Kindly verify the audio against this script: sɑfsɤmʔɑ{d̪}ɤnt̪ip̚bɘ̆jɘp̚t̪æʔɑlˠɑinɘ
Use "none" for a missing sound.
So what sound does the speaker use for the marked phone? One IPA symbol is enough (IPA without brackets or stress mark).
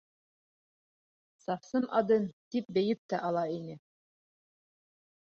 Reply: d̪